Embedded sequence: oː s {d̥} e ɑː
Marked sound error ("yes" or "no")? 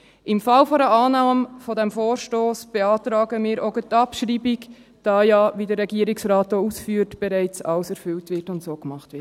yes